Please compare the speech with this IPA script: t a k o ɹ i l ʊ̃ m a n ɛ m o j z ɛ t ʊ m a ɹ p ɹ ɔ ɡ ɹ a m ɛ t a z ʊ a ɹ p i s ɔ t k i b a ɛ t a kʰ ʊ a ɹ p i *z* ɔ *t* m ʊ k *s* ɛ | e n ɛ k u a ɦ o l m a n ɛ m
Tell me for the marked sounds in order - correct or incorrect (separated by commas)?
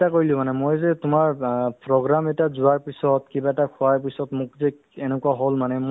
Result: incorrect, correct, incorrect